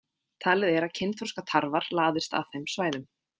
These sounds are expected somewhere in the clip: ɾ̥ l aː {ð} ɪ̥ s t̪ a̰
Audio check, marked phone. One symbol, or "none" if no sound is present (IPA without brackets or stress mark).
ð